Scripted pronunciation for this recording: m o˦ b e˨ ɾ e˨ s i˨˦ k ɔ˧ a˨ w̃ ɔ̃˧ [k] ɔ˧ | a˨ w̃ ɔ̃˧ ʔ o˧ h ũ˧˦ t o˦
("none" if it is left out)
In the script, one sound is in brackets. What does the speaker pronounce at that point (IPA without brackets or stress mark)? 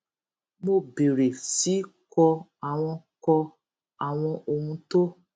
k